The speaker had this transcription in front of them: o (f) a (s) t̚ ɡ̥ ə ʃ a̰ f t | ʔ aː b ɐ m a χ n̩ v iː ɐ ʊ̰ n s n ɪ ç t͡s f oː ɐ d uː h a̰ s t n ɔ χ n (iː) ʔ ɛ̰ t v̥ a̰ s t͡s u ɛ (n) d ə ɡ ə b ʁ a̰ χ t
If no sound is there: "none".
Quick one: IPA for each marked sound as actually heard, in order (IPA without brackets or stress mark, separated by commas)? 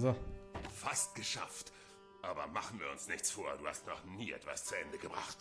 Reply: f, s, iː, n